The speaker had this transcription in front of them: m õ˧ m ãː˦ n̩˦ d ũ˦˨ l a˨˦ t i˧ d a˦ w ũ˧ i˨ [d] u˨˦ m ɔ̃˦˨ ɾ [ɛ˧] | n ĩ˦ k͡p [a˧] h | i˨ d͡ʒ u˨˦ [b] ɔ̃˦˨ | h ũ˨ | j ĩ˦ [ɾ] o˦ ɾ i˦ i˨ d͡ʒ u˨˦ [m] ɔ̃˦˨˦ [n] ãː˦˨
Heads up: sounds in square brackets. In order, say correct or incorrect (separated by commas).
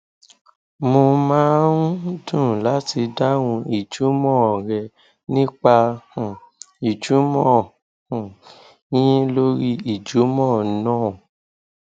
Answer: incorrect, correct, correct, incorrect, incorrect, correct, correct